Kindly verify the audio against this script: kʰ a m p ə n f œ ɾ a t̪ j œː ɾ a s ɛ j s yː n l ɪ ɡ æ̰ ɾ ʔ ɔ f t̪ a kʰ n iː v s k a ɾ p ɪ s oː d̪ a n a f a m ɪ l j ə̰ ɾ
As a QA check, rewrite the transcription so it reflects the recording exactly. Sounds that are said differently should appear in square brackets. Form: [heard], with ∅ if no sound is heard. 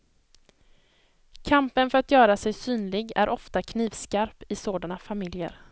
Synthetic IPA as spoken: kʰ a m p ə n f œ ɾ a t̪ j œː ɾ a s ɛ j s yː n l ɪ ɡ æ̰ ɾ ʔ ɔ f t̪ a kʰ n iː v s k a ɾ p ɪ s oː d̪ a n a f a m ɪ l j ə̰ ɾ